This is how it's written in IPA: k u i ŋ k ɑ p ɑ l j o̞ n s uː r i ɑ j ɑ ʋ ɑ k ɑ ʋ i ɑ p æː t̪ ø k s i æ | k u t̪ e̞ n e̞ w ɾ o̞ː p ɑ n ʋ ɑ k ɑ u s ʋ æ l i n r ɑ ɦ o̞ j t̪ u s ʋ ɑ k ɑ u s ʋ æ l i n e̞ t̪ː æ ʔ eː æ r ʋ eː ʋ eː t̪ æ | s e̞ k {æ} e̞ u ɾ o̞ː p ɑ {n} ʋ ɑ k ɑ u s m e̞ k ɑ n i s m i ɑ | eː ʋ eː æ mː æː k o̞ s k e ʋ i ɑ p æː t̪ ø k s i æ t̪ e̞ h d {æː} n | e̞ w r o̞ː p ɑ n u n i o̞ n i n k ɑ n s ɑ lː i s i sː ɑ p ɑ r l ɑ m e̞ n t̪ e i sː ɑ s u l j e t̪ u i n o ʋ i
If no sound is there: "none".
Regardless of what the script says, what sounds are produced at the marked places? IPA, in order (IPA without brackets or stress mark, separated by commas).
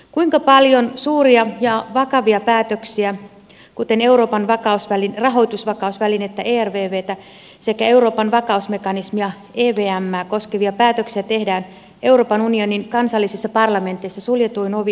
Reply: æ, n, æː